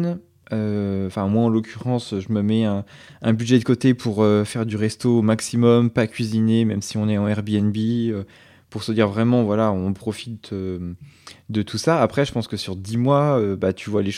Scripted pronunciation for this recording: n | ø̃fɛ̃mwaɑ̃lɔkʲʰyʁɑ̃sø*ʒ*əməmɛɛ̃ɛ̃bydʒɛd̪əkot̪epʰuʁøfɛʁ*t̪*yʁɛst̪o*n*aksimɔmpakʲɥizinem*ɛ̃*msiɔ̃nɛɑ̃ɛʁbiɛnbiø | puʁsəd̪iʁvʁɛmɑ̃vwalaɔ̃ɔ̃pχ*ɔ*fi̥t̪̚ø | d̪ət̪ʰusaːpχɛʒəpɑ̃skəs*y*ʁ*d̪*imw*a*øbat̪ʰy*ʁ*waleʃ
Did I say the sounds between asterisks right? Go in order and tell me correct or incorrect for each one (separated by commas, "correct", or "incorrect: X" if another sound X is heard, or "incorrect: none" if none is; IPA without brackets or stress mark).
correct, incorrect: d̪, incorrect: m, incorrect: ɛ, correct, correct, correct, correct, incorrect: v